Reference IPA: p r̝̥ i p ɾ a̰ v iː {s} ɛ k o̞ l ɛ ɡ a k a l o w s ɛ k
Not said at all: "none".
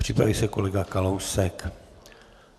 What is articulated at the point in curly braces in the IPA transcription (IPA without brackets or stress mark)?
s